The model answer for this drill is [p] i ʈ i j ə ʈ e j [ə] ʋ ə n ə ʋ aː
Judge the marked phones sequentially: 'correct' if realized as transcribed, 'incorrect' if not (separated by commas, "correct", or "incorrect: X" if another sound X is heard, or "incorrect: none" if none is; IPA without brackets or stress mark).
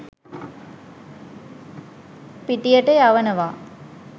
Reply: correct, incorrect: a